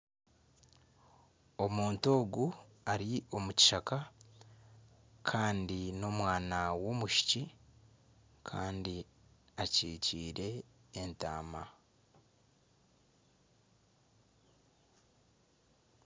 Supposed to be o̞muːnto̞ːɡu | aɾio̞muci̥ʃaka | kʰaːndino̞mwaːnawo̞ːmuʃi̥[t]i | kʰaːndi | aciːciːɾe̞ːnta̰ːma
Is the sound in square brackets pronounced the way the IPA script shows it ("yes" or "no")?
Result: no